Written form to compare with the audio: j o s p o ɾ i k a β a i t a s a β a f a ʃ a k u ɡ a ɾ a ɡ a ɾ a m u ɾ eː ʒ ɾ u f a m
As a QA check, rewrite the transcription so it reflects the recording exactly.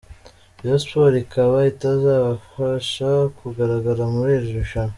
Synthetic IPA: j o s p o ɾ i k a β a i t a z a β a f a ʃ a k u ɡ a ɾ a ɡ a ɾ a m u ɾ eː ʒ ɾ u ʃ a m